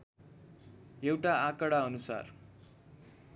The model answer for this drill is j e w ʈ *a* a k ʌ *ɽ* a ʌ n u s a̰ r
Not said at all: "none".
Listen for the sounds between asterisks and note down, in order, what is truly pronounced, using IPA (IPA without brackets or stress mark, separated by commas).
a, ɽ